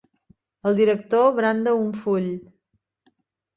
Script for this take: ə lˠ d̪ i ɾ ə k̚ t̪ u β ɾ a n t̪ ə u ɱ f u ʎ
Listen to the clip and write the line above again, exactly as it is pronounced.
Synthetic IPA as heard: ə lˠ d̪ i ɾ ə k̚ t̪ o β ɾ a n d̪ ə u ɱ f u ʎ